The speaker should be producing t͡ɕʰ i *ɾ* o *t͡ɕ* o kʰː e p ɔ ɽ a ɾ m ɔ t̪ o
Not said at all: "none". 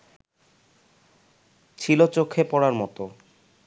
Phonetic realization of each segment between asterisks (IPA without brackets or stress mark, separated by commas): l, t͡ɕ